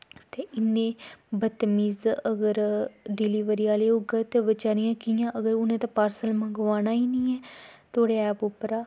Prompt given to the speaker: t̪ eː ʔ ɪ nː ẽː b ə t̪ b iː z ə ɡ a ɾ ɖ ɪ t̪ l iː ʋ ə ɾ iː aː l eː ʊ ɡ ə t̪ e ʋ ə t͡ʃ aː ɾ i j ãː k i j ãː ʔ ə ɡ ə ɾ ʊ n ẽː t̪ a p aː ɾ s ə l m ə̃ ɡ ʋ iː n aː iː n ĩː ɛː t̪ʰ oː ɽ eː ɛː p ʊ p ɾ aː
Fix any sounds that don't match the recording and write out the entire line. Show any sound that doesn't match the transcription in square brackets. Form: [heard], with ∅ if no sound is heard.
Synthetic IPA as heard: t̪ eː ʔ ɪ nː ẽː b ə t̪ [m] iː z ə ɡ [ə] ɾ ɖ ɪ [∅] l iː ʋ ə ɾ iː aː l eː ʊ ɡ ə t̪ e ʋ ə t͡ʃ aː ɾ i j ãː k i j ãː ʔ ə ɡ ə ɾ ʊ n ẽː t̪ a p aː ɾ s ə l m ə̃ ɡ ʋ [aː] n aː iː n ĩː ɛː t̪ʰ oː ɽ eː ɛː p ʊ p ɾ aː